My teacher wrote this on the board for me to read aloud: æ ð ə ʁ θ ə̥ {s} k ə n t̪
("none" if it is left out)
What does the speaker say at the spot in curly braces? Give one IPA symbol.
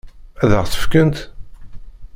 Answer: f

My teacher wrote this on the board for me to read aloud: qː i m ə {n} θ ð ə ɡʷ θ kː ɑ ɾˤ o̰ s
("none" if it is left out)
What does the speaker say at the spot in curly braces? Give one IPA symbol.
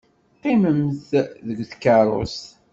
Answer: m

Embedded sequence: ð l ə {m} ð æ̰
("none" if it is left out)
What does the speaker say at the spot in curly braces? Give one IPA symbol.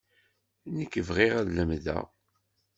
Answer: m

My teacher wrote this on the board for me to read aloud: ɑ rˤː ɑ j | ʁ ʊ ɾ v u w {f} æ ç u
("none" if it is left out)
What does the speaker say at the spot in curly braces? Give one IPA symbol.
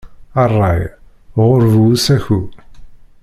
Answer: s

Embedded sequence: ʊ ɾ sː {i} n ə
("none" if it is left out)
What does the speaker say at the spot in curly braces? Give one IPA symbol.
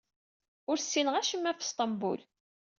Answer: i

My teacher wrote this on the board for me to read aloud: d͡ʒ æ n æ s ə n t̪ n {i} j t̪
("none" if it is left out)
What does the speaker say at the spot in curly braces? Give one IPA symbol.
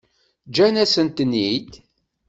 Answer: i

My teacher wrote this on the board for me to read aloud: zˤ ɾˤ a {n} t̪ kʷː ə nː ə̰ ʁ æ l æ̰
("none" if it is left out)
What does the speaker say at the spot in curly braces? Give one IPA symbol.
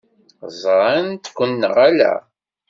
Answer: n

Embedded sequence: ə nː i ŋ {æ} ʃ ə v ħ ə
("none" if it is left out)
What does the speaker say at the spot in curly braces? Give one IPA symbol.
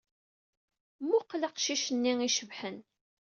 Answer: i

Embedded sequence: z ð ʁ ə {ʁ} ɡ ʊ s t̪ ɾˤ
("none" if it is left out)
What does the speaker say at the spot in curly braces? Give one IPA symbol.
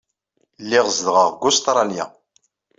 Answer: ʁ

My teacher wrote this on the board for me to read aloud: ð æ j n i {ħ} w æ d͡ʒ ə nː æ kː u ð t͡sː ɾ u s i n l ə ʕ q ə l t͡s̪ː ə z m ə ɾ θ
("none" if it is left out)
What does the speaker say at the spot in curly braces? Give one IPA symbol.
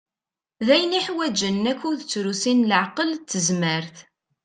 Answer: ħ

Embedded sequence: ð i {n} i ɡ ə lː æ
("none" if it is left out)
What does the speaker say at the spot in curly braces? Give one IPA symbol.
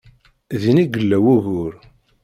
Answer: n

